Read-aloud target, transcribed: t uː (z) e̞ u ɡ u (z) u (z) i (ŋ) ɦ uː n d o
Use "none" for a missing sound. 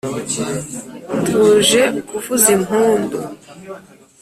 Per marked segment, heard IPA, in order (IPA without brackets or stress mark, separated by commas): ʒ, v, z, m